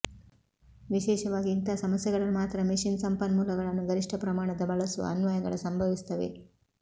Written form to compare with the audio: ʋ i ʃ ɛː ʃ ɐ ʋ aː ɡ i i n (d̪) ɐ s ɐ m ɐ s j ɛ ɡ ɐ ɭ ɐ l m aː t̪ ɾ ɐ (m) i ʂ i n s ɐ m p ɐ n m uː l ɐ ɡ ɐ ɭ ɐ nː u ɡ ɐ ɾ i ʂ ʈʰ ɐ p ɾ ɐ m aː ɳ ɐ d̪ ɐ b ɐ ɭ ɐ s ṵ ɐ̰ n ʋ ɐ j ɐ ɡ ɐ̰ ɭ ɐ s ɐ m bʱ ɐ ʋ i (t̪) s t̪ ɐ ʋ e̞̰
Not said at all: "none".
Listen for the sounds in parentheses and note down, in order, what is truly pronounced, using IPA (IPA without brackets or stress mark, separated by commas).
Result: t̪, m, none